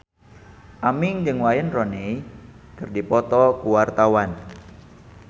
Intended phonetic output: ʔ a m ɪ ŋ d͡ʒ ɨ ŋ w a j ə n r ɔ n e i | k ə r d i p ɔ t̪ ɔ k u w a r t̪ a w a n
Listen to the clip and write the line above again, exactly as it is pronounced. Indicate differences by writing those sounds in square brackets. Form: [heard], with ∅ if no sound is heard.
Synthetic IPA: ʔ a m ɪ ŋ d͡ʒ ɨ ŋ w a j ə n r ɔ n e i | k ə r d i p ɔ t̪ ɔ k u w a r t̪ a w a n